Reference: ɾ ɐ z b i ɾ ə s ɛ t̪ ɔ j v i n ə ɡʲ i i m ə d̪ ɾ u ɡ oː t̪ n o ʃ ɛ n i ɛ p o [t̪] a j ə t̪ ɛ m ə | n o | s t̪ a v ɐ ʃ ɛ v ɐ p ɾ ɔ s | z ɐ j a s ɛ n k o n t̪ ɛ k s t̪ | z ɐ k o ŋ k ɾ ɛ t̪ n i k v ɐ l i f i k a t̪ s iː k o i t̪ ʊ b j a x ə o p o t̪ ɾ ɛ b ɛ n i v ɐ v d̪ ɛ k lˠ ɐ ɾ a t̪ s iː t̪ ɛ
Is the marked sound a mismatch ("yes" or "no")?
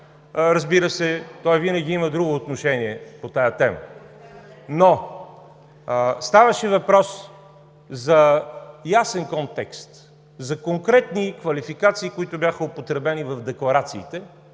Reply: no